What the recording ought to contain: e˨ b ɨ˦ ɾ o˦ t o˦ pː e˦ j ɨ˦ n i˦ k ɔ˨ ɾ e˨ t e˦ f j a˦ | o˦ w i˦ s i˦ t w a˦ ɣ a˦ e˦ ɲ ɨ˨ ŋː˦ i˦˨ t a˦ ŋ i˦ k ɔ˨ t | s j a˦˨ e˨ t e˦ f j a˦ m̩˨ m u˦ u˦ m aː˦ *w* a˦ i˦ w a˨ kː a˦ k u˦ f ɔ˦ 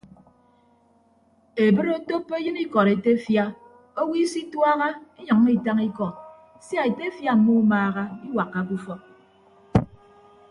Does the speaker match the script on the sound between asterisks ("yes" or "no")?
no